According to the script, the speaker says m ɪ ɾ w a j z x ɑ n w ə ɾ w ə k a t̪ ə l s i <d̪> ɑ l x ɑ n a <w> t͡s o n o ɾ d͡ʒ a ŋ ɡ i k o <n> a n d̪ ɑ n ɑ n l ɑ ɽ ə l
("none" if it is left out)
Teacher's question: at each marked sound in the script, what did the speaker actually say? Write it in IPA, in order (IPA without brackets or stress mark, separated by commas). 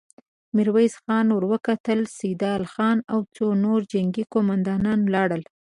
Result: d̪, w, m